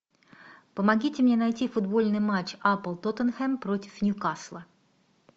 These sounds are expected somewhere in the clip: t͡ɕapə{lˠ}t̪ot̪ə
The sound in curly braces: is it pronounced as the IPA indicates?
yes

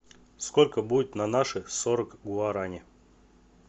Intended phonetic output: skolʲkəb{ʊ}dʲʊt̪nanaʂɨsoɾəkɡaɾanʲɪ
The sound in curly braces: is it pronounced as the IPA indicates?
no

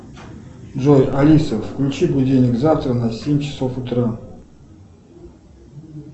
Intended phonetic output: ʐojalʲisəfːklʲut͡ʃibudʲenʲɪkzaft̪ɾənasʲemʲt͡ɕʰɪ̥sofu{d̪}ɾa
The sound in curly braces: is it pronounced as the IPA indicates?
no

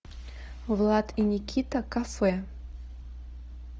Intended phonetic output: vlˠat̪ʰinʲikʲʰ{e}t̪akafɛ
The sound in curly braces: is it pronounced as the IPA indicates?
no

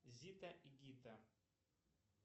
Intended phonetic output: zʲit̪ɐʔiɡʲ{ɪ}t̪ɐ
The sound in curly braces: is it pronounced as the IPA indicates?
no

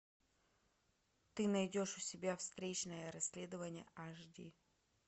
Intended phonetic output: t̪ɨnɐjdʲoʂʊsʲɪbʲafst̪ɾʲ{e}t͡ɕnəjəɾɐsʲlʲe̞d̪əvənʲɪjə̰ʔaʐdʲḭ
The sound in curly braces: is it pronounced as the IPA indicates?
yes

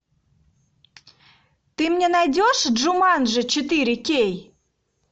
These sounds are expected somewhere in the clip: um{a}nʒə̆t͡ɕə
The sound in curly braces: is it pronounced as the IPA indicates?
no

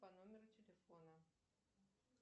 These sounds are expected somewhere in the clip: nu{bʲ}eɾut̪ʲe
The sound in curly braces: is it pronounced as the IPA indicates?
no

